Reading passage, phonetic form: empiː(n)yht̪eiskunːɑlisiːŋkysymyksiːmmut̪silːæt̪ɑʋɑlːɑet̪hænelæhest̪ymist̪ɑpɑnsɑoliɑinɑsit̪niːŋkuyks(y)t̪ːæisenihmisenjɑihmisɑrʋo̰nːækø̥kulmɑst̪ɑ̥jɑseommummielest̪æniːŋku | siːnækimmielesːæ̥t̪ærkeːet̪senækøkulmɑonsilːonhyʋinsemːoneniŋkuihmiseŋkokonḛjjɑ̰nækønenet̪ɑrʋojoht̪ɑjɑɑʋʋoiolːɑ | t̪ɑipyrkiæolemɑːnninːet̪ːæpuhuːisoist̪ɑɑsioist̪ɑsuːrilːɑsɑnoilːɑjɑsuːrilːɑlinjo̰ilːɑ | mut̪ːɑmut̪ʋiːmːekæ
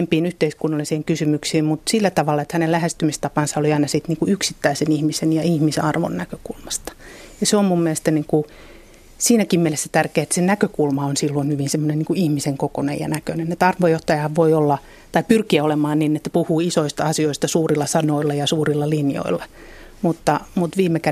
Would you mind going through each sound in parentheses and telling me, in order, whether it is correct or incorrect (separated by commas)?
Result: correct, incorrect